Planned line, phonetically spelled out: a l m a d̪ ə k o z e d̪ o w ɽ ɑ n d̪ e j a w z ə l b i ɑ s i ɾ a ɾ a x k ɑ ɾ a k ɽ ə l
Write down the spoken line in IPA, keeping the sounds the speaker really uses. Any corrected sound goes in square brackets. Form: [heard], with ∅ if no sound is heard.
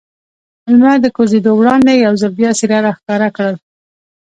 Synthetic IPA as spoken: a l m a d̪ ə k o z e d̪ o w ɽ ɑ n d̪ e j a w z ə l b [j] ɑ s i ɾ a ɾ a x k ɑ ɾ a k ɽ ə l